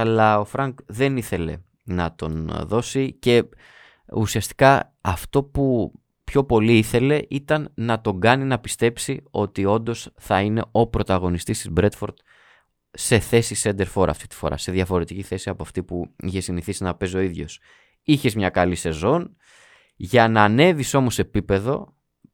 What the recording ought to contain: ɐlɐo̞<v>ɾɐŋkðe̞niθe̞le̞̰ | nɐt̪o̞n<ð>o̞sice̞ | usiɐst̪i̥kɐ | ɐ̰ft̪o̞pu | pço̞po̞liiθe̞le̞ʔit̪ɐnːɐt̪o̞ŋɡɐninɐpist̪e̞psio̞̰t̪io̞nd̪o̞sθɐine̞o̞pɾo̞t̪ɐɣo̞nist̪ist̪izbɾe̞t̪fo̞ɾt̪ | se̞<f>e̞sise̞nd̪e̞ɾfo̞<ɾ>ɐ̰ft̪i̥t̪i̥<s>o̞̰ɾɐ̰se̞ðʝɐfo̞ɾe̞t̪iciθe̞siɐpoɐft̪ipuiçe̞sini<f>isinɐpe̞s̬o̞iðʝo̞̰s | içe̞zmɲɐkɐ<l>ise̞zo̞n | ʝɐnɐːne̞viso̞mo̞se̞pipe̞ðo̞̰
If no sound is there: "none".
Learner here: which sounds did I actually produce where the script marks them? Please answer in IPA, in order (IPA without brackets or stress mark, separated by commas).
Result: f, ð, θ, ɾ, f, θ, l